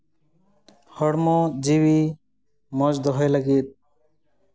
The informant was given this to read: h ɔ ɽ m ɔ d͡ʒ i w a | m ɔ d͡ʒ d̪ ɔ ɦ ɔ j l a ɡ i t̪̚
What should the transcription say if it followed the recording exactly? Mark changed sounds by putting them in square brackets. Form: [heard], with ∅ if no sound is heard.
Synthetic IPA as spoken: h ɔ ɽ m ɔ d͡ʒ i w [i] | m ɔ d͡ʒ d̪ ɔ ɦ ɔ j l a ɡ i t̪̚